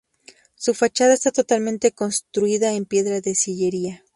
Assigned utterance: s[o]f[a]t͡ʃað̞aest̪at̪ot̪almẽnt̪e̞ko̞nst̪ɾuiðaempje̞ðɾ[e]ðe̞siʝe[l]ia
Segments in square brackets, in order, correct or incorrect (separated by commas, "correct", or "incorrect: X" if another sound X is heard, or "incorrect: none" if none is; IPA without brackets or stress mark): incorrect: u, correct, incorrect: a, incorrect: ɾ